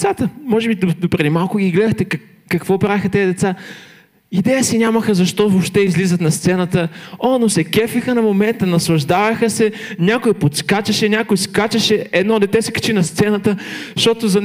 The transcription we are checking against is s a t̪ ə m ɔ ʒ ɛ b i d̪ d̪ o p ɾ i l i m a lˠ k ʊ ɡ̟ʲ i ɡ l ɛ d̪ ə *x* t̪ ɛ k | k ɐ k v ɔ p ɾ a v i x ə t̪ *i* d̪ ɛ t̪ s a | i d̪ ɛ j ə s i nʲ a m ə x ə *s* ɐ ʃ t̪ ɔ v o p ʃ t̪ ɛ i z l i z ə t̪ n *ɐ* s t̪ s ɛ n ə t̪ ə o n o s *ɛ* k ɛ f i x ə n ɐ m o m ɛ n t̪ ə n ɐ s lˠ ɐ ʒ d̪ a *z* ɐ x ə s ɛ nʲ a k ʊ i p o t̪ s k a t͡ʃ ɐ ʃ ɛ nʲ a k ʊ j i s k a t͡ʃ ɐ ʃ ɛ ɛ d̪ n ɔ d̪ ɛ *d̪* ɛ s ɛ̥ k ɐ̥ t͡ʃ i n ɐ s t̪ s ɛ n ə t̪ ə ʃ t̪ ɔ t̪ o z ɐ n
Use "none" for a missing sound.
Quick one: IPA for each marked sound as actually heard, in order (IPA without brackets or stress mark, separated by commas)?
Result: x, ɛ, z, ɐ, ɛ, v, t̪